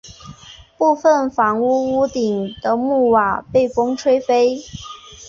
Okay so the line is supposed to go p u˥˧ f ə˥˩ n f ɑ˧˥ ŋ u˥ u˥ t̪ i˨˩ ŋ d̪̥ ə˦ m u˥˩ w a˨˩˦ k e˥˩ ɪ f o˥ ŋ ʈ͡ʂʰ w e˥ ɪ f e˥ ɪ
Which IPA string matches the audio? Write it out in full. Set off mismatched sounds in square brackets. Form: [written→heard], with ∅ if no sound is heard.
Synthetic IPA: p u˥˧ f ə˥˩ n f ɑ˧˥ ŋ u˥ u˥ t̪ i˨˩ ŋ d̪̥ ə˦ m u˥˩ w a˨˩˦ [k→p] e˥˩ ɪ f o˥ ŋ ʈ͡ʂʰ w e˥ ɪ f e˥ ɪ